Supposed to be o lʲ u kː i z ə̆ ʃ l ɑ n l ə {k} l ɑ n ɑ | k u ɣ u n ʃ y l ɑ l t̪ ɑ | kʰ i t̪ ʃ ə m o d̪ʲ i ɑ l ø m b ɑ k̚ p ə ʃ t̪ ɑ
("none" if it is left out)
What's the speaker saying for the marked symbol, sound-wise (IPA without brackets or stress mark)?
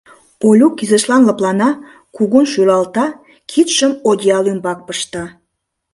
p